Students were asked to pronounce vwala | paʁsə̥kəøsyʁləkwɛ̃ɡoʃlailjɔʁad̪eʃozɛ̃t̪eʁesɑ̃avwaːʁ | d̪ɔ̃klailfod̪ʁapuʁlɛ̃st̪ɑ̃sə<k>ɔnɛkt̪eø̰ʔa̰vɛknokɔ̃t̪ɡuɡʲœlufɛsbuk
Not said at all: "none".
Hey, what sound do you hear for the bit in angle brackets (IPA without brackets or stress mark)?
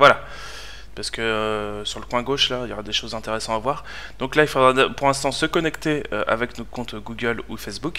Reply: k